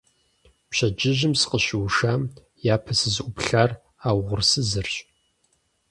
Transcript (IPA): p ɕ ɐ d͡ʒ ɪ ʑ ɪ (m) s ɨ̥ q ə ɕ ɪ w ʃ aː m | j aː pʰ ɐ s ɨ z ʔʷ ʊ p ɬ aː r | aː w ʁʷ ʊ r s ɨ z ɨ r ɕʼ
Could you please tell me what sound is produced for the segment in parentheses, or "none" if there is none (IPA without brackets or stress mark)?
m